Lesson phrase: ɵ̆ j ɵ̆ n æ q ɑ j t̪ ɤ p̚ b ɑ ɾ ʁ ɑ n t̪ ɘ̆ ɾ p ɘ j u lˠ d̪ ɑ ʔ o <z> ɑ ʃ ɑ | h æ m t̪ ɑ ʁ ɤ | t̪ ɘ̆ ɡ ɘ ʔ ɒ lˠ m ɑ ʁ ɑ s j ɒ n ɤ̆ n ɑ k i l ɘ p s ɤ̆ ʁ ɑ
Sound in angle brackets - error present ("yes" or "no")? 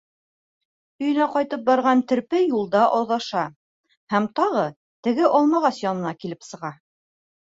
yes